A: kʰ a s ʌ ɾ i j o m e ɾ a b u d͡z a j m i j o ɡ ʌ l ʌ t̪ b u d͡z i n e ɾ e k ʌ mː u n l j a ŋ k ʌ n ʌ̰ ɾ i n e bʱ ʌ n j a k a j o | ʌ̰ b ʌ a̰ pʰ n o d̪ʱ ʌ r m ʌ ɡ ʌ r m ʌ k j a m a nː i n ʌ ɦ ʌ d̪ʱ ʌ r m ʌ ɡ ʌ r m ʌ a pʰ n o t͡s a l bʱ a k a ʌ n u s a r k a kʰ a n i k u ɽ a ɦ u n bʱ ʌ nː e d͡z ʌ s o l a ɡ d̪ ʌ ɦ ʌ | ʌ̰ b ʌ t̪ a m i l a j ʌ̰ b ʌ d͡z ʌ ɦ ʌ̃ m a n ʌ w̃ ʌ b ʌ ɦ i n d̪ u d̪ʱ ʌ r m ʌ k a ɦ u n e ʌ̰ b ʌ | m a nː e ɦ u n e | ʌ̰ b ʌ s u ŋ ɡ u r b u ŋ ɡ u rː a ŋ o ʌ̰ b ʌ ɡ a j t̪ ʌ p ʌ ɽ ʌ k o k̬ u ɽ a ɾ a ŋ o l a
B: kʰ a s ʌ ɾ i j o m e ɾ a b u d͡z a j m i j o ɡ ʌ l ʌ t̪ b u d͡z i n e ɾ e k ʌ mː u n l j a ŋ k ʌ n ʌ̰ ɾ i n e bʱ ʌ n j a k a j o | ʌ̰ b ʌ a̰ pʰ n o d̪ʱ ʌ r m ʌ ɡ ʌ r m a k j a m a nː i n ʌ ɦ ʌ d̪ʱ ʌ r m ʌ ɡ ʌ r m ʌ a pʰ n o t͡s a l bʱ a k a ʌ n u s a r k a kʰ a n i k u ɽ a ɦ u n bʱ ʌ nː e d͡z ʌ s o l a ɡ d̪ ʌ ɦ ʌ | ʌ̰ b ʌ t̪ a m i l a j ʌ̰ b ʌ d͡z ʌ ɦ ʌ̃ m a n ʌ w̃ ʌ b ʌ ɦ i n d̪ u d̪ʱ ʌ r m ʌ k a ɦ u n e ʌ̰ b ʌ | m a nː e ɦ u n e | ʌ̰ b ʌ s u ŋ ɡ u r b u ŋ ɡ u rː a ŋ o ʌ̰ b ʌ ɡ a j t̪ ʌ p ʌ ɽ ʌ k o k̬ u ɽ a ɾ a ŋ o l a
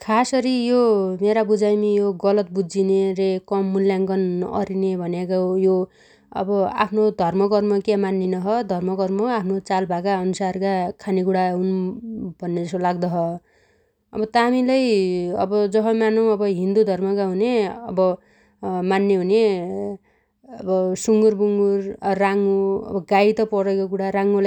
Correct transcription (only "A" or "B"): A